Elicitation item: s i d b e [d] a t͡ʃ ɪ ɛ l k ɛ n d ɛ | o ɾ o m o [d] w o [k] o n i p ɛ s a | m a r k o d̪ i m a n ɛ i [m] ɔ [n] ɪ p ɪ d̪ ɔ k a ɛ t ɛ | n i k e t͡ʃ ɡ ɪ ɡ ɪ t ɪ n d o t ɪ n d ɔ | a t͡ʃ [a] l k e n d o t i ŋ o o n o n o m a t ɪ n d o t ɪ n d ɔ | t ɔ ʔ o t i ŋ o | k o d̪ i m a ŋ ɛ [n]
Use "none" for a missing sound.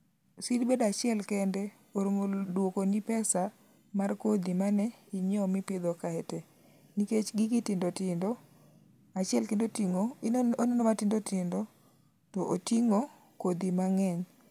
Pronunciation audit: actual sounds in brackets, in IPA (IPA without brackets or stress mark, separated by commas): d, d, k, ɲ, m, ɛ, ɲ